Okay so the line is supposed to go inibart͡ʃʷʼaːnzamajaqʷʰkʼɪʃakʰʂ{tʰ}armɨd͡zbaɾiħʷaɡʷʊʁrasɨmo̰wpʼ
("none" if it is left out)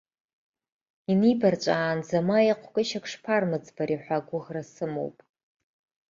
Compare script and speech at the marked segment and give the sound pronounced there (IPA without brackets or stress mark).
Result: pʰ